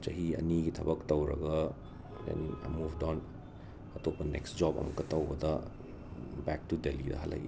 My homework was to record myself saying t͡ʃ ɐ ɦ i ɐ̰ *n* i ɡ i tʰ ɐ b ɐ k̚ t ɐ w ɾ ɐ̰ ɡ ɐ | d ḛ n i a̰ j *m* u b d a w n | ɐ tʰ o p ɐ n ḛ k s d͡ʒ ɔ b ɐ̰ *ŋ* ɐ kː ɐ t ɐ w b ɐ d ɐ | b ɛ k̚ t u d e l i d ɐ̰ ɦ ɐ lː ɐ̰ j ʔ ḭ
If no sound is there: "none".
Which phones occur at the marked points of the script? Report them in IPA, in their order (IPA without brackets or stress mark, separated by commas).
n, m, m